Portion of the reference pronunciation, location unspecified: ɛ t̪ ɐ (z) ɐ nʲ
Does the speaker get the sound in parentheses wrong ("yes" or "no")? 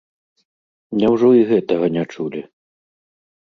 yes